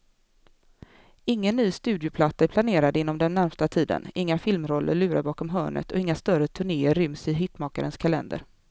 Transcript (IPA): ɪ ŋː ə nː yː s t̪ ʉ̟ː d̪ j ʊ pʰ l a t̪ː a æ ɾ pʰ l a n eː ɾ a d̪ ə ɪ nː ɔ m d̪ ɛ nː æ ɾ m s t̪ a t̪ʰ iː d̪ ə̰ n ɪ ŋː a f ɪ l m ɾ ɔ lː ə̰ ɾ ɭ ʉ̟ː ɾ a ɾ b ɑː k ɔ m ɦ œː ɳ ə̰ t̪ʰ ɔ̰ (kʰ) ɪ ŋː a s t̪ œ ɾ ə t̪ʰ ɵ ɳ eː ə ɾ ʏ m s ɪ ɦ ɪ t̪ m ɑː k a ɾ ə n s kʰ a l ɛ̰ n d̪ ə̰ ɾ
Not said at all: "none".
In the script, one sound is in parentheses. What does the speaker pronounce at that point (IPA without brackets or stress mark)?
none